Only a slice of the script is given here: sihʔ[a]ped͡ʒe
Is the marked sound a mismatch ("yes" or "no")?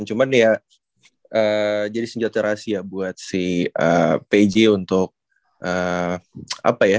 yes